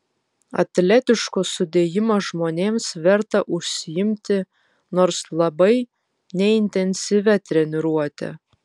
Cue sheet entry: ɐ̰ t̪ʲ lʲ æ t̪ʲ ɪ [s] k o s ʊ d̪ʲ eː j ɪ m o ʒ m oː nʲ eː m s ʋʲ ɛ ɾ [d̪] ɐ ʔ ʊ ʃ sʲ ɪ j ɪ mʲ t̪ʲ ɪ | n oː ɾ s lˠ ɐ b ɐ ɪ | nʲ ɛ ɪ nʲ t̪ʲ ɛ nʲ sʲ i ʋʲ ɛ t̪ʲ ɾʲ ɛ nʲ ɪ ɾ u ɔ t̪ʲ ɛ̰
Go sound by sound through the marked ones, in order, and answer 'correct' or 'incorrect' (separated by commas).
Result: incorrect, incorrect